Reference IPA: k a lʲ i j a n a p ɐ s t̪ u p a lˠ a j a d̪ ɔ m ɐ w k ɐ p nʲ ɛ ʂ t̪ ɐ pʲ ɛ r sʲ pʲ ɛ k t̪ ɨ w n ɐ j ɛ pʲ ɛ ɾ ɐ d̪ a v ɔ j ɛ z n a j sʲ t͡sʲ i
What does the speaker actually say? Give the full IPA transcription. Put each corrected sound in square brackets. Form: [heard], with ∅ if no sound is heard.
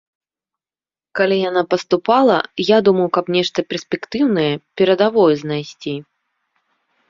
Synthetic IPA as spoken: k a lʲ i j a n a p ɐ s t̪ u p a lˠ [ɐ] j a d̪ [u] m ɐ w k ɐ p nʲ ɛ ʂ t̪ ɐ pʲ ɛ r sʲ pʲ ɛ k t̪ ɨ w n ɐ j ɛ pʲ ɛ ɾ ɐ d̪ a v ɔ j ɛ z n a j sʲ t͡sʲ i